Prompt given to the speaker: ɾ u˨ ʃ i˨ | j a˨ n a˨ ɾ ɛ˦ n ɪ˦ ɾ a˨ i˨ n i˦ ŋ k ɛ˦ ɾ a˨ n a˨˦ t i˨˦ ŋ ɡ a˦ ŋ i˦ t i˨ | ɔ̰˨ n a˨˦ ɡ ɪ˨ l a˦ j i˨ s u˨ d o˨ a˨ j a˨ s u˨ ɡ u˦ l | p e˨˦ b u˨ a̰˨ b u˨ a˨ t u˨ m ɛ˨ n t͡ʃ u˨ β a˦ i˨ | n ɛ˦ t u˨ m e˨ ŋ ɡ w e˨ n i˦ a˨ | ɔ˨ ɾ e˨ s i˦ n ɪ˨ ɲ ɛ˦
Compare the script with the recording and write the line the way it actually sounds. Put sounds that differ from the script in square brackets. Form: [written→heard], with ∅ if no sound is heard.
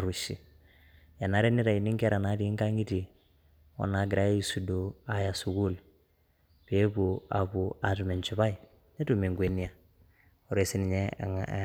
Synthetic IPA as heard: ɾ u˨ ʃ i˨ | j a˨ n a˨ ɾ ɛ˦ n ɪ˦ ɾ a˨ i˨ n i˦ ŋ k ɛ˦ ɾ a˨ n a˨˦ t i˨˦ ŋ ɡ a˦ ŋ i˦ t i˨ | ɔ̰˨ n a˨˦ ɡ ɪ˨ [l→ɾ] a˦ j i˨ s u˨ d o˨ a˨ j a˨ s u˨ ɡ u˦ l | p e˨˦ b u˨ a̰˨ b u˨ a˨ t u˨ m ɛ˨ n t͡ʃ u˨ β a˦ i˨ | n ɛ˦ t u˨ m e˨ ŋ ɡ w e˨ n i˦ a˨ | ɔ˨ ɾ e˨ s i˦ n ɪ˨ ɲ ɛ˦